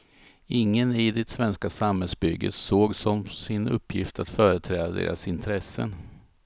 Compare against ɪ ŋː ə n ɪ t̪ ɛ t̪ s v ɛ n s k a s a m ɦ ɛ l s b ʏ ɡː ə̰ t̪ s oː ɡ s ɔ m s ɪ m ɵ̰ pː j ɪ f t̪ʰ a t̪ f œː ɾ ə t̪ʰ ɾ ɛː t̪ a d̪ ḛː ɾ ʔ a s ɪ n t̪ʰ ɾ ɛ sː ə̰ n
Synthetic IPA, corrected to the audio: ɪ ŋː ə n ɪ d̪ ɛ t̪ s v ɛ n s k a s a m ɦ ɛ l s b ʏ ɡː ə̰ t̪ s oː ɡ s ɔ m s ɪ n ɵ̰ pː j ɪ f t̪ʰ a t̪ f œː ɾ ə t̪ʰ ɾ ɛː d̪ a d̪ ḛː ɾ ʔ a s ɪ n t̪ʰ ɾ ɛ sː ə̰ n